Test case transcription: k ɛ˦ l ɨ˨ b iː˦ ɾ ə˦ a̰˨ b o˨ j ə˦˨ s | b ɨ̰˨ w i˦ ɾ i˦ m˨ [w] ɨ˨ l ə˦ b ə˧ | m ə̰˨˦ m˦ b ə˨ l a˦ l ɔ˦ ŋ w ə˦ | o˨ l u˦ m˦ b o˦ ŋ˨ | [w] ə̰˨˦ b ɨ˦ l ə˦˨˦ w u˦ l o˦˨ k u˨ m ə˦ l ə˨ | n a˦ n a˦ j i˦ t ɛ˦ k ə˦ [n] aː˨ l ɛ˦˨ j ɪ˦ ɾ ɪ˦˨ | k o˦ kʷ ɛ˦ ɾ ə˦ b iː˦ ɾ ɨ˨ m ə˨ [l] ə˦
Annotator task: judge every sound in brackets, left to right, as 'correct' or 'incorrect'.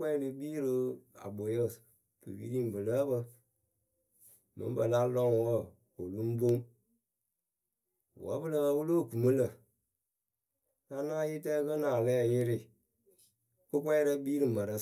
incorrect, correct, correct, incorrect

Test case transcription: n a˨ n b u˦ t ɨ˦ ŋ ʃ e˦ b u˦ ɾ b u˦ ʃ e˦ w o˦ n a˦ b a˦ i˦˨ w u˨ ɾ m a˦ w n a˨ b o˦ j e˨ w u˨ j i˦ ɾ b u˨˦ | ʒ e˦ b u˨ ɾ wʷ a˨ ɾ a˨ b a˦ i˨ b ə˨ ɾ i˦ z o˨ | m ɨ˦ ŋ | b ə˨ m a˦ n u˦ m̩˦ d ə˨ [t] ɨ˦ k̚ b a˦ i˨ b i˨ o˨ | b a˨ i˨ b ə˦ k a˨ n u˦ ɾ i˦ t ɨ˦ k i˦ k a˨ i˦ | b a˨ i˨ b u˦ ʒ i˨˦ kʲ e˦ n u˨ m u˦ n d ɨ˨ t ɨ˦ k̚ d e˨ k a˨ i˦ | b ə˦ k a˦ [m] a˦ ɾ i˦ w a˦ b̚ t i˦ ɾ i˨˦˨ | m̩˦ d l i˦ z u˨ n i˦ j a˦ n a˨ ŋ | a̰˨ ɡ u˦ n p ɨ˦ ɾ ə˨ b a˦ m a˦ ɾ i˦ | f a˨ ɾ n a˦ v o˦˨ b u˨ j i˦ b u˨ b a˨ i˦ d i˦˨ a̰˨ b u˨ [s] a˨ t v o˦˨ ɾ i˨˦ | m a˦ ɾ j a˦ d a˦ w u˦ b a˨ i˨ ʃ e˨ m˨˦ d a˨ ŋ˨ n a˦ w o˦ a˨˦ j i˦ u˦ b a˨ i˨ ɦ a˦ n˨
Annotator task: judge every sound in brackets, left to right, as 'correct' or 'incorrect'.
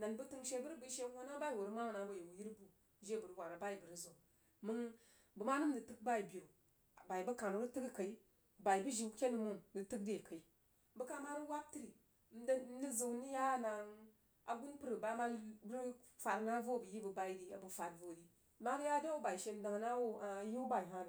correct, correct, incorrect

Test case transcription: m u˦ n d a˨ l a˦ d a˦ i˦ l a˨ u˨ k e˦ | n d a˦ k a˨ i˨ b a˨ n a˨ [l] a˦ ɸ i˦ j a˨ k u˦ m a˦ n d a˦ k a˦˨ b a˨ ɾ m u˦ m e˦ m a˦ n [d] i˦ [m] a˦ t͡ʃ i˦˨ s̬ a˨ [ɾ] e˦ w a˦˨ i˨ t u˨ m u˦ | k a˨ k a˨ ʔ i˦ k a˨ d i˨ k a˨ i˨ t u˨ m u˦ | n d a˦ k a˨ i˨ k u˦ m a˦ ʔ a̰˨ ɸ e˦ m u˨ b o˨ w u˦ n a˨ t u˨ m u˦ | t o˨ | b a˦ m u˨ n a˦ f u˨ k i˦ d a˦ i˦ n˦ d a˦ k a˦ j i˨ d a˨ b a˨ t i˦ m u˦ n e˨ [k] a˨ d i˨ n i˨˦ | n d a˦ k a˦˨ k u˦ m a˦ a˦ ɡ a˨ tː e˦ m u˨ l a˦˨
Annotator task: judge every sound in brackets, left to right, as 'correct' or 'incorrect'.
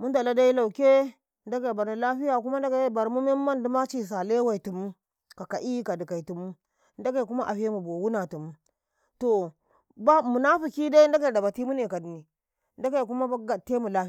correct, correct, correct, incorrect, correct

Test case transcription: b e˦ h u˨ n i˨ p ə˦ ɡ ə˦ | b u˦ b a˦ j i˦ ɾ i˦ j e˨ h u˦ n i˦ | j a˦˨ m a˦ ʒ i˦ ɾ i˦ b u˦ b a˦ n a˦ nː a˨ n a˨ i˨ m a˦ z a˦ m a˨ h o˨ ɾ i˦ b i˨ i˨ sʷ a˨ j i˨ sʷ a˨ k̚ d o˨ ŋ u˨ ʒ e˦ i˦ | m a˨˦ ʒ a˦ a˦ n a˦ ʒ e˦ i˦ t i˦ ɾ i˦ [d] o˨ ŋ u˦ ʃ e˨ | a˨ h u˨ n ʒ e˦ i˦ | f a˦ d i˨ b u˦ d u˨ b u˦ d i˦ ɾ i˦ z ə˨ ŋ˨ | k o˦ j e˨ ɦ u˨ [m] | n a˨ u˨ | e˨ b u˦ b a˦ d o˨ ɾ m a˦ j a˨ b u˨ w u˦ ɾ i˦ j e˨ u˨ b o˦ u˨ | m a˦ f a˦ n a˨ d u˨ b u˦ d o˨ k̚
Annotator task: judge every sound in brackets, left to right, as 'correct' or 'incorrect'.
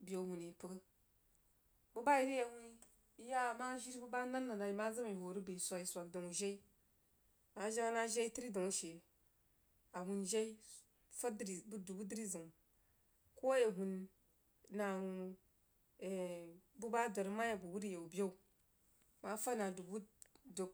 correct, incorrect

